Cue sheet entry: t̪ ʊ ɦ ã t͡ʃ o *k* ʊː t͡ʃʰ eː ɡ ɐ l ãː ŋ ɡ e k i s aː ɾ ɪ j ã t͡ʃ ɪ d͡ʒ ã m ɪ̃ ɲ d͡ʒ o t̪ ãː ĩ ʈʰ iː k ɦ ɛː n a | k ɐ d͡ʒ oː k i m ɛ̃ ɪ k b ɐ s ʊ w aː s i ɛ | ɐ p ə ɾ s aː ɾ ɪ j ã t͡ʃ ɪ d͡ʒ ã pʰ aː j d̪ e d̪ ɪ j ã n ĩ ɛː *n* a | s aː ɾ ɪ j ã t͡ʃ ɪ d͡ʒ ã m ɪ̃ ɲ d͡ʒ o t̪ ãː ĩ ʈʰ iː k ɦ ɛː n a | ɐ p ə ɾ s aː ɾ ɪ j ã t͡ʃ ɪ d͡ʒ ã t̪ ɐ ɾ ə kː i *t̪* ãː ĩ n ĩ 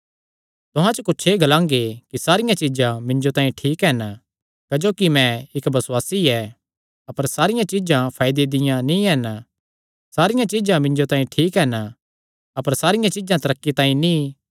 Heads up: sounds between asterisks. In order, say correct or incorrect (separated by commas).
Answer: correct, correct, correct